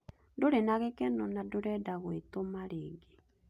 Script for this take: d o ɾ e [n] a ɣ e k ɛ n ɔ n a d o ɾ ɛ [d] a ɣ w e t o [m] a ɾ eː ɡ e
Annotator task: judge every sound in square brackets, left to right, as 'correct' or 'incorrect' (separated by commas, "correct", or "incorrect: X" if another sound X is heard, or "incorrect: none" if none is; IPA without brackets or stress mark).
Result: correct, correct, correct